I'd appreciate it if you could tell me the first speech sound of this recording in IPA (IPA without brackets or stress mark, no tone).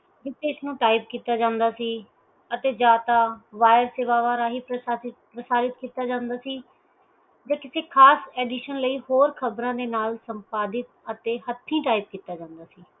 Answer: d͡ʒ